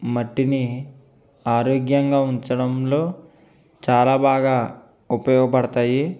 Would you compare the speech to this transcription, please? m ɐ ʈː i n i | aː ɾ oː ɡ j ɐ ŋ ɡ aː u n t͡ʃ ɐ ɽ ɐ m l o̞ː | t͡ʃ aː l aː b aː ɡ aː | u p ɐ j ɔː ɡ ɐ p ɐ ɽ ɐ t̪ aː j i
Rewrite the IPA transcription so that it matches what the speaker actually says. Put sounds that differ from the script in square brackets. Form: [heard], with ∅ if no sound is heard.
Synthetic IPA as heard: m ɐ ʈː i n i | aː ɾ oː ɡ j ɐ ŋ ɡ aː u [ɲ] t͡ʃ ɐ ɽ ɐ m l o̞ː | t͡ʃ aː l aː b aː ɡ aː | u p ɐ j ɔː ɡ ɐ p ɐ ɽ ɐ t̪ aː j i